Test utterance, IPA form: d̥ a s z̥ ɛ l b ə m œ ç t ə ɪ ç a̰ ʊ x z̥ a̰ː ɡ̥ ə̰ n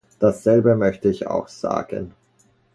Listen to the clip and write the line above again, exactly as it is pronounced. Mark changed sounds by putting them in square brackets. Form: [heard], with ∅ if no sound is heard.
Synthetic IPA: d̥ a s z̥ ɛ l b ə m œ ç t ə ɪ ç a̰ ʊ x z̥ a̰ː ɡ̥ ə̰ n